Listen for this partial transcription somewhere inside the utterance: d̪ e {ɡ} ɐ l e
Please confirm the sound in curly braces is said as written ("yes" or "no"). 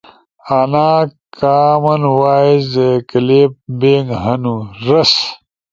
no